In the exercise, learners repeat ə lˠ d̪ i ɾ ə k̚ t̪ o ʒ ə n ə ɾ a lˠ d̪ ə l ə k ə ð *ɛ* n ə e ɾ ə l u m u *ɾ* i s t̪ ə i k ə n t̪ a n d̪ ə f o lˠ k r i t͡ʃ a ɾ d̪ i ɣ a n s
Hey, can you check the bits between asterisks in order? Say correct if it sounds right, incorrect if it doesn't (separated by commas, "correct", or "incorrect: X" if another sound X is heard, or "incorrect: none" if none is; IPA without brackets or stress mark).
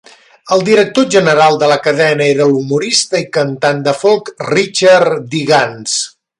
correct, correct